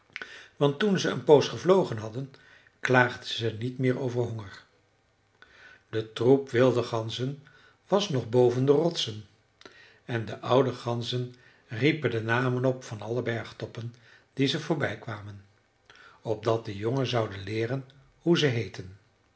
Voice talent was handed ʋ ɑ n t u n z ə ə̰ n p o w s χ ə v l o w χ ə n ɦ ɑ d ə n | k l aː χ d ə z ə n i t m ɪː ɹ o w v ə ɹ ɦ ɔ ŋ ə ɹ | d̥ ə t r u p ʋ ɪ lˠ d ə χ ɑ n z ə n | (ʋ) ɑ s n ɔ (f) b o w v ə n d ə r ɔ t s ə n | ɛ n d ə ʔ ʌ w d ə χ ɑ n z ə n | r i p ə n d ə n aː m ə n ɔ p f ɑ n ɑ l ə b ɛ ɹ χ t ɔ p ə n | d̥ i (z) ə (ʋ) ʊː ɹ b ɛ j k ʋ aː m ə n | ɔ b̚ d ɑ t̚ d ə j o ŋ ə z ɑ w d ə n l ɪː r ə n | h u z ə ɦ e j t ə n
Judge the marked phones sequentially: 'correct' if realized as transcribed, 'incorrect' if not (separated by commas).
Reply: correct, incorrect, correct, incorrect